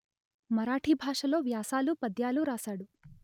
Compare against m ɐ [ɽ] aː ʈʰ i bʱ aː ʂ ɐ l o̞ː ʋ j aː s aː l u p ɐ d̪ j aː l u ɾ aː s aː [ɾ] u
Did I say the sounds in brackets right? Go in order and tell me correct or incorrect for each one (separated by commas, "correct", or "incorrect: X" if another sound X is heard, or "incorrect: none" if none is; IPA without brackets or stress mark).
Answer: incorrect: ɾ, incorrect: ɽ